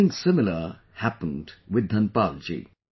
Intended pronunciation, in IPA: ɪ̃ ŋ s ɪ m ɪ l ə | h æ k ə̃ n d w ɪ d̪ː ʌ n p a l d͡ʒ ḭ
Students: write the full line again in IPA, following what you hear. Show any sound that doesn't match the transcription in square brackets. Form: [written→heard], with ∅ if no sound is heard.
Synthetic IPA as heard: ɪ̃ ŋ s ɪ m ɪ l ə | h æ [k→p] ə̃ n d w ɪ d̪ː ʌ n p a l d͡ʒ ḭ

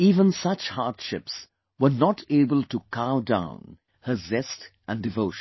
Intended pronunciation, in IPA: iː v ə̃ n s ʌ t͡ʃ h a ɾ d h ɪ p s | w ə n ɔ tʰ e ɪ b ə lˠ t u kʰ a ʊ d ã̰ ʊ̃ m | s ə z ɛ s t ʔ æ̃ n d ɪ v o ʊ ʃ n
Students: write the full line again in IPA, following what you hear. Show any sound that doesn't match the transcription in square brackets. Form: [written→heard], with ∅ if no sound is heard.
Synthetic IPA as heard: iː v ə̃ n s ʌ t͡ʃ h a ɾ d [h→ʃ] ɪ p s | w ə n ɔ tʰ e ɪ b ə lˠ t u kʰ a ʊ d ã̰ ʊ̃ [m→n] | [s→h] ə z ɛ s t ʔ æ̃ n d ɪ v o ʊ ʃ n

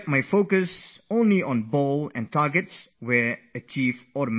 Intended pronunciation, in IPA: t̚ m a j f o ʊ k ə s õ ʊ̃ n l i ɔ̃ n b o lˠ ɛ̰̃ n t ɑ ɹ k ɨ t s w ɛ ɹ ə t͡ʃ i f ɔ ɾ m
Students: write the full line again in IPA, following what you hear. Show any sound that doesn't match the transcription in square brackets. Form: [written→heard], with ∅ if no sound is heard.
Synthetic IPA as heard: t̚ m a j f o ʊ k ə s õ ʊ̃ n l i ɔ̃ n b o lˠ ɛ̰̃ n t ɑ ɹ [k→ɡ] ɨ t s w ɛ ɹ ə t͡ʃ i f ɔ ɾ m

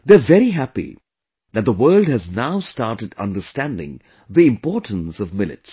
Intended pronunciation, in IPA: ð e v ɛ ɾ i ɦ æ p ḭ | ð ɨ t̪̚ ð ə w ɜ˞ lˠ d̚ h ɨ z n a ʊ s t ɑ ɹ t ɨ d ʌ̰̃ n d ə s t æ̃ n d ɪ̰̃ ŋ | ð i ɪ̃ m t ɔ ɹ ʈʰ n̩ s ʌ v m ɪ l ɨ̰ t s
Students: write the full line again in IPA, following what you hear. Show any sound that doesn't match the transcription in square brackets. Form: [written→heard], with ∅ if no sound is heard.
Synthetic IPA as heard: ð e v ɛ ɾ i ɦ æ p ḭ | ð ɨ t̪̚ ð ə w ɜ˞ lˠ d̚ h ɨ z n a ʊ s t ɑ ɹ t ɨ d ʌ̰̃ n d ə s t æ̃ n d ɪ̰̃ ŋ | ð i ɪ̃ m [t→p] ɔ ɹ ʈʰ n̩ s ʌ v m ɪ l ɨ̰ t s

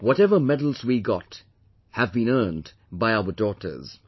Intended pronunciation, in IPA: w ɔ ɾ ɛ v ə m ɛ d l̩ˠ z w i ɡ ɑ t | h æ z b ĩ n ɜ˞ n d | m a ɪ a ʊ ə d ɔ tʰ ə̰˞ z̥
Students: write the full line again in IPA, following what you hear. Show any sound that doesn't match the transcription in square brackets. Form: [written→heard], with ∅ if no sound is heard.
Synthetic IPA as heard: w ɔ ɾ ɛ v ə m ɛ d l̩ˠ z w i ɡ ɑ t | h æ [z→v] b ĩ n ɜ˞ n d | [m→b] a ɪ a ʊ ə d ɔ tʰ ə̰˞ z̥

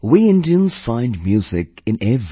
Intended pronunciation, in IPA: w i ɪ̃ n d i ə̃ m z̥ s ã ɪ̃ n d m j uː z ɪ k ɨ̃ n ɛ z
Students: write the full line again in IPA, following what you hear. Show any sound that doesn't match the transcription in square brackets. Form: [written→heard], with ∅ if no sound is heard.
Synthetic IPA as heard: w i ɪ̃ n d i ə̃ [m→n] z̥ [s→f] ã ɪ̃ n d m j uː z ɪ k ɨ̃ n ɛ [z→v]

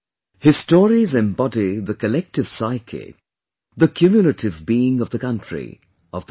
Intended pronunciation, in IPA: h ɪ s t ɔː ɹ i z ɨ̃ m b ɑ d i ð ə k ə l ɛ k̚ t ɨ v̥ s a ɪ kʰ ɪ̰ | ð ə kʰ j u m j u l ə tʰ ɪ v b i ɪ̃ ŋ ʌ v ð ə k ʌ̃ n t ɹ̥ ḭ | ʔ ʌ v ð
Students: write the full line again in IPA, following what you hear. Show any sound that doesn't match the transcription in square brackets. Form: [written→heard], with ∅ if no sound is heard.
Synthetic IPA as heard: h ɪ s t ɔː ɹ i z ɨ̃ m b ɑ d i ð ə k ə l ɛ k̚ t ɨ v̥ s a ɪ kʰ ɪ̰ | ð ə kʰ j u m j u l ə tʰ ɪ v b i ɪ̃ ŋ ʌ v ð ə k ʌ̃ n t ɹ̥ ḭ | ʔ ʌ v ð

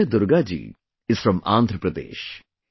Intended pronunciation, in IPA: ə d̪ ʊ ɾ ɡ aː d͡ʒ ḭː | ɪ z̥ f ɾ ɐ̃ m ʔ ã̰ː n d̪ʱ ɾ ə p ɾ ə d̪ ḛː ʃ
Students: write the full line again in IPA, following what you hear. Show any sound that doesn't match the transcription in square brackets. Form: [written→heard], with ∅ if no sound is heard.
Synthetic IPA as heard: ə d̪ ʊ ɾ ɡ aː d͡ʒ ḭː | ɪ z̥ f ɾ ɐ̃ m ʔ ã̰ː n d̪ʱ ɾ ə p ɾ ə d̪ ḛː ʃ

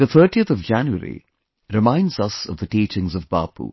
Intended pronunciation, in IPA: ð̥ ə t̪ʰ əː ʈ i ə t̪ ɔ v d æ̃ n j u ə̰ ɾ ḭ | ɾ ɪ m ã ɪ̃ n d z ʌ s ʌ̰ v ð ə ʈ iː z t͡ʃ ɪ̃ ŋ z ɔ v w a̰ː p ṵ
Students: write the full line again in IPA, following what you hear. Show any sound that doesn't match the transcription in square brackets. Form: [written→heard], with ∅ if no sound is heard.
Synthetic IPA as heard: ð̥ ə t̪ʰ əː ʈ i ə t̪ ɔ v [d→d͡ʒ] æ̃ n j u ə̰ ɾ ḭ | ɾ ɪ m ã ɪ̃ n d z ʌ s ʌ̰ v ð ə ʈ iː [z→∅] t͡ʃ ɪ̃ ŋ z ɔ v [w→b] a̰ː p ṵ

